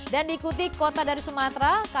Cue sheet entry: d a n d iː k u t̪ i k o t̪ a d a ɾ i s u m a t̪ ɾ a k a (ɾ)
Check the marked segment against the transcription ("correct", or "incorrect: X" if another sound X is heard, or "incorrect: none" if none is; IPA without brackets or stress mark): incorrect: none